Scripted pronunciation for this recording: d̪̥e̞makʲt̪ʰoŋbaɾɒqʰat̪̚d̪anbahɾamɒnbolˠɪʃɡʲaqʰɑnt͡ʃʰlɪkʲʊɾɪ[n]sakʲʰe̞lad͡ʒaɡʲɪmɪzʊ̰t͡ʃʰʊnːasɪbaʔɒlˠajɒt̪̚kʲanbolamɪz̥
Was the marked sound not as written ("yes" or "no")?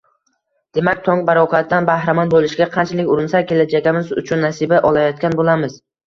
no